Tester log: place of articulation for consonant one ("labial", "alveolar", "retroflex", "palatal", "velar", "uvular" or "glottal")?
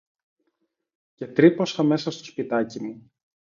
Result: palatal